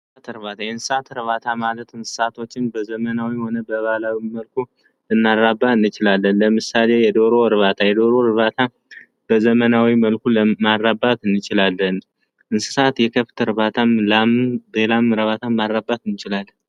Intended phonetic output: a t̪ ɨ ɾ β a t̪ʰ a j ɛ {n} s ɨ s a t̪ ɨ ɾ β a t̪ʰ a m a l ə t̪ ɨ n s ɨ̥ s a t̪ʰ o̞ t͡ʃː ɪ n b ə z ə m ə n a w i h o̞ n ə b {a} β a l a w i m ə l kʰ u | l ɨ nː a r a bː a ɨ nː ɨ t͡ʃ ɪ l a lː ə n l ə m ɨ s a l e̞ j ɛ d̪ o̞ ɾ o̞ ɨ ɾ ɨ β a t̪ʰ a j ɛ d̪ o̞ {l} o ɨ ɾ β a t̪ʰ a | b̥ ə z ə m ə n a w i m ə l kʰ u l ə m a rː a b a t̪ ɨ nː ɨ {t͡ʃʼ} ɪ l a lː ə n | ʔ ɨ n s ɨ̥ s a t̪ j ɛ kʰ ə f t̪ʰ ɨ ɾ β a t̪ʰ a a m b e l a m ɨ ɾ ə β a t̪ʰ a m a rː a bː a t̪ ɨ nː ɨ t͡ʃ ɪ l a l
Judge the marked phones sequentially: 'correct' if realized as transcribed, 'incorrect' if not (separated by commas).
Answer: correct, incorrect, incorrect, incorrect